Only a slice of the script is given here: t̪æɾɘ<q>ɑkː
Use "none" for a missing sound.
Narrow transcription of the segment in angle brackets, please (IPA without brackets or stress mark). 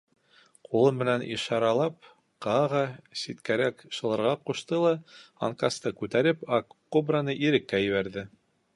p